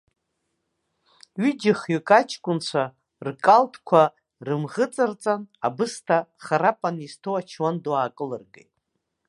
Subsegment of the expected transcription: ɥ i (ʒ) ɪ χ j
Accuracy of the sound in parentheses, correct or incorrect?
incorrect: d͡ʒ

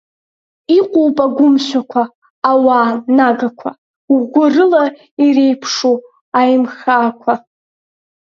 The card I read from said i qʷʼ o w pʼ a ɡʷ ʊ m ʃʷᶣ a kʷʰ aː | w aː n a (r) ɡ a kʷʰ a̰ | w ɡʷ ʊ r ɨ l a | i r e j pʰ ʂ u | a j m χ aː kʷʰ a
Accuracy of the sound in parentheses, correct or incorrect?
incorrect: none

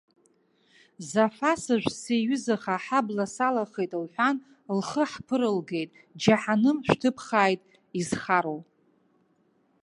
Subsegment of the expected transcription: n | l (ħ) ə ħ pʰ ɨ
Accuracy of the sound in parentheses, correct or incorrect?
incorrect: χ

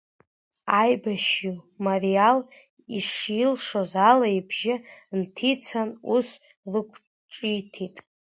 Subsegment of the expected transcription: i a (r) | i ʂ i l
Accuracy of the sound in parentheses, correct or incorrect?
incorrect: l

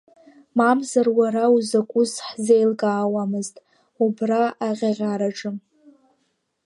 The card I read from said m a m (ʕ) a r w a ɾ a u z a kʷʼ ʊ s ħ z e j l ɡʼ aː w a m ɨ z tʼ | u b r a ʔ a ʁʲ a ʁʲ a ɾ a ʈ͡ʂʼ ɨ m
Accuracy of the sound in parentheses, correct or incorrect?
incorrect: z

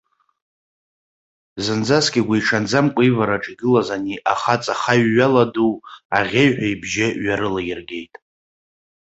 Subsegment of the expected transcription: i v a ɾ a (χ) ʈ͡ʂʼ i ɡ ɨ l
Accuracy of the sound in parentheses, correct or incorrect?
incorrect: none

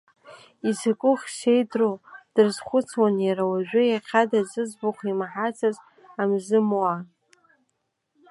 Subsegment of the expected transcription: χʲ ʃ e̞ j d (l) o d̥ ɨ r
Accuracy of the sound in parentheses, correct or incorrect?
incorrect: r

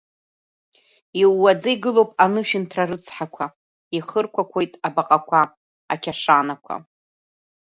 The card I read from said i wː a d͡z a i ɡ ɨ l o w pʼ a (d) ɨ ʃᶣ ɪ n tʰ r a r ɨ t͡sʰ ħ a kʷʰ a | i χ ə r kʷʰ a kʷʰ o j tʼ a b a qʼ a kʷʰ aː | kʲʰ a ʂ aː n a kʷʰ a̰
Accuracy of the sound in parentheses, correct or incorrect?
incorrect: n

